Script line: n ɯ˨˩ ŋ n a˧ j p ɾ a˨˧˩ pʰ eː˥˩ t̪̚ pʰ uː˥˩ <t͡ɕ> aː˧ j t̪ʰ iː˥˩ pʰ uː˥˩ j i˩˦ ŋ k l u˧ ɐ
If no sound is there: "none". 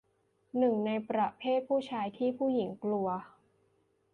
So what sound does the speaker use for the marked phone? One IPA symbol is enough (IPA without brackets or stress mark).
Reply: t͡ɕʰ